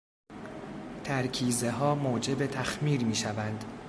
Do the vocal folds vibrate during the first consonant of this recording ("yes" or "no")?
no